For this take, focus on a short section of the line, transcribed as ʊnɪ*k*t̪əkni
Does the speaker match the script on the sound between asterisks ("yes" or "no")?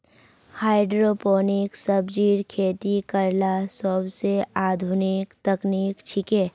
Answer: yes